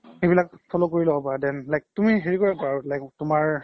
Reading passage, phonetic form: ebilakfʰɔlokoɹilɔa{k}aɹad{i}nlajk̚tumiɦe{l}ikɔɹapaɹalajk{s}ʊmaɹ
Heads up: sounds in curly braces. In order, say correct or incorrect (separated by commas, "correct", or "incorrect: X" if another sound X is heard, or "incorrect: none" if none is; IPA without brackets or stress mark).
incorrect: p, incorrect: ɛ, incorrect: ɹ, incorrect: t